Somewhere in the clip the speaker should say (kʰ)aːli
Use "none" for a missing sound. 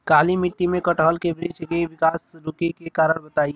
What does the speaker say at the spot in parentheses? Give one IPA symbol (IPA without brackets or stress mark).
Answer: k